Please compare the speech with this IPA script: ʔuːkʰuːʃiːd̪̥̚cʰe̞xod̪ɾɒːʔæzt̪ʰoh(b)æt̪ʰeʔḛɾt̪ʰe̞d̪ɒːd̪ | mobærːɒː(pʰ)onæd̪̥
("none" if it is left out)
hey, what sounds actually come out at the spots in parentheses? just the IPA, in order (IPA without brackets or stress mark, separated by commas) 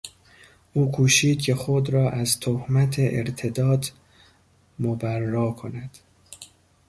m, kʰ